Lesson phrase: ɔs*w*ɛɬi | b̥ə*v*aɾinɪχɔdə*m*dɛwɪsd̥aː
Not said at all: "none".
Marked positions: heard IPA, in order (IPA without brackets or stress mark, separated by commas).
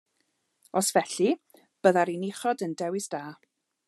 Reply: v, ð, n